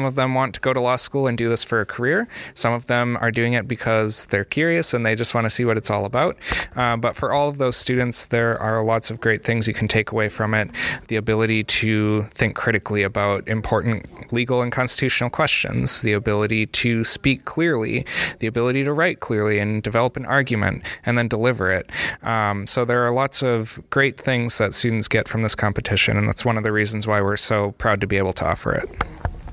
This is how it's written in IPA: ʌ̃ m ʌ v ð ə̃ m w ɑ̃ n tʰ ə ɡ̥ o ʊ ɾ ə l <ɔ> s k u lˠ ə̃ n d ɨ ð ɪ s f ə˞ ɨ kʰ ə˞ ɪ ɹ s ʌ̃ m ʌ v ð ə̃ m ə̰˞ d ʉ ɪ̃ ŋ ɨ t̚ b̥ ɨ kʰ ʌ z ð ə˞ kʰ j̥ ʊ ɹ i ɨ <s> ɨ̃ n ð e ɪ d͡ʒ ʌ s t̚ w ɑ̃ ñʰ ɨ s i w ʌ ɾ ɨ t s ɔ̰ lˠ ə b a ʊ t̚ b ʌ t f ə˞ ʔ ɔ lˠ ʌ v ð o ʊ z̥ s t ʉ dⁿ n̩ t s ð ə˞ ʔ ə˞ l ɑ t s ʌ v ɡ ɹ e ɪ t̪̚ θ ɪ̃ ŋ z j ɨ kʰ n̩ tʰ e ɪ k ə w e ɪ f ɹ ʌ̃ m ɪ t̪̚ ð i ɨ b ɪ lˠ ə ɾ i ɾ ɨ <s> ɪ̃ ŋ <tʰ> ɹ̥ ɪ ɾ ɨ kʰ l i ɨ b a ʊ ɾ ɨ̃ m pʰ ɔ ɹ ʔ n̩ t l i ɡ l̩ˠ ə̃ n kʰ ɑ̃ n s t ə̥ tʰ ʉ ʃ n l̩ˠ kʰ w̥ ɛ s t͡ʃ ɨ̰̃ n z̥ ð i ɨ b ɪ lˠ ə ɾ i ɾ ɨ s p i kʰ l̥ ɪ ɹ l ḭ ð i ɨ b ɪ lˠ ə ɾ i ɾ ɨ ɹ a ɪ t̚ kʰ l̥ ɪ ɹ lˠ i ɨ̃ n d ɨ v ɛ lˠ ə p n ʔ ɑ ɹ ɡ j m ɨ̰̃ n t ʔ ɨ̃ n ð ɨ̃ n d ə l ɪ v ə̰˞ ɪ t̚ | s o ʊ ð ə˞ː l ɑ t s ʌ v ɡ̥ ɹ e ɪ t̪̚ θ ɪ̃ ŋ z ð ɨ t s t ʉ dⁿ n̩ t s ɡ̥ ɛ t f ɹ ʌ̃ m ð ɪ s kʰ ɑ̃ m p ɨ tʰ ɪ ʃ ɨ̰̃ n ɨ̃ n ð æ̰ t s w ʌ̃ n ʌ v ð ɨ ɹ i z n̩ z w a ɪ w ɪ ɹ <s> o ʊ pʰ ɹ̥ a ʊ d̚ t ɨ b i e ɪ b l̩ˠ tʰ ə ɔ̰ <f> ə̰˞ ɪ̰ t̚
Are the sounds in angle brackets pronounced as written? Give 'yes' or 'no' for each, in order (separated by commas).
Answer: yes, yes, no, no, yes, yes